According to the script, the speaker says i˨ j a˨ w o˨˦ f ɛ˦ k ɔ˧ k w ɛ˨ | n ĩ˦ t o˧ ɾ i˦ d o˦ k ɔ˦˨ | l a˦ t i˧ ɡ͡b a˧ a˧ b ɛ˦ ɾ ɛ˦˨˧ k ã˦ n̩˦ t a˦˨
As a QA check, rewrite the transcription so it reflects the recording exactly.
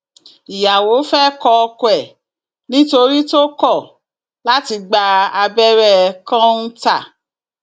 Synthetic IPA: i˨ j a˨ w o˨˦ f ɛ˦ k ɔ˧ k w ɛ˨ | n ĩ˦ t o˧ ɾ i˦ t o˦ k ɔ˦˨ | l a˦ t i˧ ɡ͡b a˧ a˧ b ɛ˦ ɾ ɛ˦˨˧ k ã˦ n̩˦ t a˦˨

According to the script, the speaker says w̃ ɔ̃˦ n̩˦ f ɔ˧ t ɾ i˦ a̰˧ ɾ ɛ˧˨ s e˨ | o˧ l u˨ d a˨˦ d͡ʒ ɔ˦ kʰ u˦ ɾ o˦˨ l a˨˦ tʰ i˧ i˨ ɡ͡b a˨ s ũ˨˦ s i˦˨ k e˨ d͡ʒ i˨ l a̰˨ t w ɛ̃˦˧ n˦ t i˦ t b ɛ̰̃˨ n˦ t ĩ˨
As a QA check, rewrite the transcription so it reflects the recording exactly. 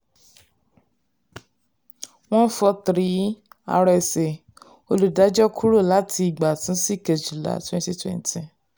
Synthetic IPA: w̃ ɔ̃˦ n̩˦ f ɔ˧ t ɾ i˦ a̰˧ ɾ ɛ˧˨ s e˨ | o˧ l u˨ d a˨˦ d͡ʒ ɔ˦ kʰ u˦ ɾ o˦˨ l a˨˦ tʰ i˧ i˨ ɡ͡b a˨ t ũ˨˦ s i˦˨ k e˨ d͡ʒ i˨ l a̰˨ t w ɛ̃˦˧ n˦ t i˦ t w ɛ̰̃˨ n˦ t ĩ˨

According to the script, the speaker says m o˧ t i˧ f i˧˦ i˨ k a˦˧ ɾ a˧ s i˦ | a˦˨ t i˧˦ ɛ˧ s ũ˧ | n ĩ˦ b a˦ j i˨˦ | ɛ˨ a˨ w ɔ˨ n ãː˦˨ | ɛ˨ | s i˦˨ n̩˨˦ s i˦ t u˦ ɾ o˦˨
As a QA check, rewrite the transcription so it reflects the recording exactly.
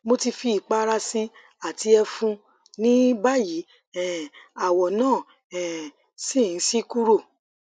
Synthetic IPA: m o˧ t i˧ f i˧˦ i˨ k͡p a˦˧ ɾ a˧ s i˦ | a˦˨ t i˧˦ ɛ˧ f ũ˧ | n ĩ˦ b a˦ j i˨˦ | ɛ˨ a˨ w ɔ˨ n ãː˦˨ | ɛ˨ | s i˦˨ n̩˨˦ s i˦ k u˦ ɾ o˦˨

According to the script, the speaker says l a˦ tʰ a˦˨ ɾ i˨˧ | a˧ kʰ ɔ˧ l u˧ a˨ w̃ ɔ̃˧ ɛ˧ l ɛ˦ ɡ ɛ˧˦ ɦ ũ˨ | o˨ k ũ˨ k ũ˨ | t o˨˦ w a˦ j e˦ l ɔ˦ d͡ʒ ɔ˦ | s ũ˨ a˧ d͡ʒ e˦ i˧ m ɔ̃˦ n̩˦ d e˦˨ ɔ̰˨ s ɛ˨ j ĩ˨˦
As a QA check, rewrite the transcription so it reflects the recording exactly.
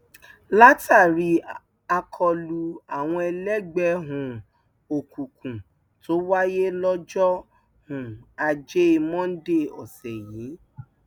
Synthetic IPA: l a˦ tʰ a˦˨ ɾ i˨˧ | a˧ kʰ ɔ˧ l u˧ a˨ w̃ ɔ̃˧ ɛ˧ l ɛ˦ ɡ͡b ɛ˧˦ ɦ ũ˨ | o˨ k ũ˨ k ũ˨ | t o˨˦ w a˦ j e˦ l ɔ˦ d͡ʒ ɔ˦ | h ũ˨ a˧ d͡ʒ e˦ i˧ m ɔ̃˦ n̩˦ d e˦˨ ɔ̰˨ s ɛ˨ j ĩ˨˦

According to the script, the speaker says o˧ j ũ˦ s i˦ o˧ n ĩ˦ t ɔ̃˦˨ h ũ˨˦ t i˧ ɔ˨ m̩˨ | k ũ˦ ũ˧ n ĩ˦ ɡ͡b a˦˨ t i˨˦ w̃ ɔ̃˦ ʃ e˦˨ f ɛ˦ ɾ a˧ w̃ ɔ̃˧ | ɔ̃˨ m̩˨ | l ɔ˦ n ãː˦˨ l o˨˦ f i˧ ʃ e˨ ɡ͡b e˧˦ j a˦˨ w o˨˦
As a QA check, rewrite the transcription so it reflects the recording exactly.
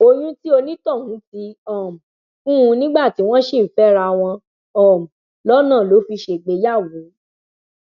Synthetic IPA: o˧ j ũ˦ t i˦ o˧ n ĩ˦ t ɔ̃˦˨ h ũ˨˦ t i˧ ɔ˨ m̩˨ | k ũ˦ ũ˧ n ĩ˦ ɡ͡b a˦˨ t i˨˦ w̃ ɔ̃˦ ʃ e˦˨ f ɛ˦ ɾ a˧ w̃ ɔ̃˧ | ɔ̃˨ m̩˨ | l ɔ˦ n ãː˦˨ l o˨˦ f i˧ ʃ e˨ ɡ͡b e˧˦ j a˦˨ w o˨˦

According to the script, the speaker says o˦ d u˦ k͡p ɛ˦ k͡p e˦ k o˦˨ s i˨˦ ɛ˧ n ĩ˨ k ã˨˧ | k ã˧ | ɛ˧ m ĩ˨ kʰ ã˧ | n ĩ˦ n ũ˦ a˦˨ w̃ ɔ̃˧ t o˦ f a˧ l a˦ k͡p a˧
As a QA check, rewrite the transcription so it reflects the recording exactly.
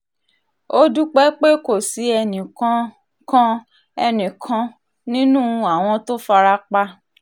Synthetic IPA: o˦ d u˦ k͡p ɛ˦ k͡p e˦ k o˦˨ s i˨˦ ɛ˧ n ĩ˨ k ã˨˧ | k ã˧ | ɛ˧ n ĩ˨ kʰ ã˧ | n ĩ˦ n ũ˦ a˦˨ w̃ ɔ̃˧ t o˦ f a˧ ɾ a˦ k͡p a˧

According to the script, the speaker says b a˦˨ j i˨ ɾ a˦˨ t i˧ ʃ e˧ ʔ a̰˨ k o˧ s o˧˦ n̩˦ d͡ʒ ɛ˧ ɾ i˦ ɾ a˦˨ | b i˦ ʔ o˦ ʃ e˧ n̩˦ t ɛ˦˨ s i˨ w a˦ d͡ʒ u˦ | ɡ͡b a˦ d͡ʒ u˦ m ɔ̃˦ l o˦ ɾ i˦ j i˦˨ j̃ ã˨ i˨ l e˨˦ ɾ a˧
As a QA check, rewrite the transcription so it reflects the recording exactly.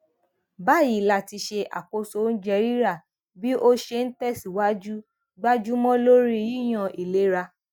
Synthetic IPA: b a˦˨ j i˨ l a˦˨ t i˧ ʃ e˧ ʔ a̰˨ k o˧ s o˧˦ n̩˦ d͡ʒ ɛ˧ ɾ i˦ ɾ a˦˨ | b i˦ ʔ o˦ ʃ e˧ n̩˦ t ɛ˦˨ s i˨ w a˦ d͡ʒ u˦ | ɡ͡b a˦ d͡ʒ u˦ m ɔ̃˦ l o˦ ɾ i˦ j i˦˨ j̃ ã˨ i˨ l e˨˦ ɾ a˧

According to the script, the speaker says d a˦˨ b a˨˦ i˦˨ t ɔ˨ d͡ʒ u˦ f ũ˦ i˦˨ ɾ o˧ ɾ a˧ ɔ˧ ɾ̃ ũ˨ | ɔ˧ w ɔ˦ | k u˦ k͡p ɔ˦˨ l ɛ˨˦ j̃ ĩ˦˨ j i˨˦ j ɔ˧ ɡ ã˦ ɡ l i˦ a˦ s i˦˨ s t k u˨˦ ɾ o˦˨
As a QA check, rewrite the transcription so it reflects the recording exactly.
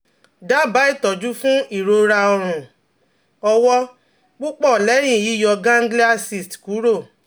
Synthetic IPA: d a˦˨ b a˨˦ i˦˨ t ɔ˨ d͡ʒ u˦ f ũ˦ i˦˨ ɾ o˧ ɾ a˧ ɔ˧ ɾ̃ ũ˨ | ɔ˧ w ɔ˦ | k͡p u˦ k͡p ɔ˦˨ l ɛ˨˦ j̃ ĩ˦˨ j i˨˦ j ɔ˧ ɡ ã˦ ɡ l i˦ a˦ s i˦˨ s t k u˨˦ ɾ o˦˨

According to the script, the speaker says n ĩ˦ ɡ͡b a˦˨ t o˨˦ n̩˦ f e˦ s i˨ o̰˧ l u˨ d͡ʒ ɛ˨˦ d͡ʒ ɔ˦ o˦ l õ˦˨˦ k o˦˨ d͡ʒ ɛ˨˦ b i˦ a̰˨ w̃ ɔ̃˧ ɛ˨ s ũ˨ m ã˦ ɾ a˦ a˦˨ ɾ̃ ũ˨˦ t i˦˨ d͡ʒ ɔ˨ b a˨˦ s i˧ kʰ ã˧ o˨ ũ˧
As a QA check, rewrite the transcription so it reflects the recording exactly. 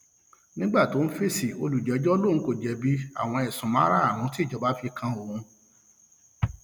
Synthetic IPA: n ĩ˦ ɡ͡b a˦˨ t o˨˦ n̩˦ f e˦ s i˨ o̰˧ l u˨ d͡ʒ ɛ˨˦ d͡ʒ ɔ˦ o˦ l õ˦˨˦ k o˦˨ d͡ʒ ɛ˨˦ b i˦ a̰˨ w̃ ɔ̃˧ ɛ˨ s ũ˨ m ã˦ ɾ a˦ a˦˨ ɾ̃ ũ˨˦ t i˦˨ d͡ʒ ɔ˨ b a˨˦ f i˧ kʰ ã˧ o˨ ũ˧

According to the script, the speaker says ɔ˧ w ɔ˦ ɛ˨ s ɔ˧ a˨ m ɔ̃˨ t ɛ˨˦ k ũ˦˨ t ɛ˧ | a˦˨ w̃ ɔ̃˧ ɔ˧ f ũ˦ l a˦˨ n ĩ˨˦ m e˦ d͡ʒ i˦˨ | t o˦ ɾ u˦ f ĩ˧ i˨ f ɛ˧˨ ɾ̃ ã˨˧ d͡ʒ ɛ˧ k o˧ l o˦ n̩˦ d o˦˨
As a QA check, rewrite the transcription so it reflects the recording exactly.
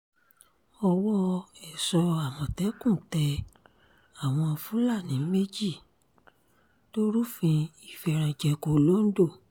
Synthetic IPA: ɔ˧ w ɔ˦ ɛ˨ s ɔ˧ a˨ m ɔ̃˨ t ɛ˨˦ k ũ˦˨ t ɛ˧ | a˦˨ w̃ ɔ̃˧ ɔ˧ f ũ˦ l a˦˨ n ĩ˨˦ m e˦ d͡ʒ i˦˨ | t o˦ ɾ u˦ f ĩ˧ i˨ f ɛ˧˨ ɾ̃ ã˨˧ d͡ʒ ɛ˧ k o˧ l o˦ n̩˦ d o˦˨

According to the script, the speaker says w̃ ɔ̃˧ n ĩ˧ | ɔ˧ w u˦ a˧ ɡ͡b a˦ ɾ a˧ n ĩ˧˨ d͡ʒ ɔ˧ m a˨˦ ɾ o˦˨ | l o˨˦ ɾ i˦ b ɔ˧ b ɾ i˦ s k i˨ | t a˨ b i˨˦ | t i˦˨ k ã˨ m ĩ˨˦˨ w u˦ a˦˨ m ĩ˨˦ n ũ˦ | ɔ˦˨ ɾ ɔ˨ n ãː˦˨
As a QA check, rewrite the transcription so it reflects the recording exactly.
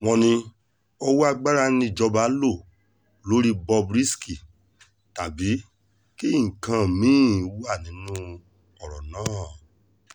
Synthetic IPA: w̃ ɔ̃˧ n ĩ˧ | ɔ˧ w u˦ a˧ ɡ͡b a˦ ɾ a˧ n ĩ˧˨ d͡ʒ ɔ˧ b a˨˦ l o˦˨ | l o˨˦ ɾ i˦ b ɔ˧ b ɾ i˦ s k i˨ | t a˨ b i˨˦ | k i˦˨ k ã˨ m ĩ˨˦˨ w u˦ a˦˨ n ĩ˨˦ n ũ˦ | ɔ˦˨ ɾ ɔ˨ n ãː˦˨

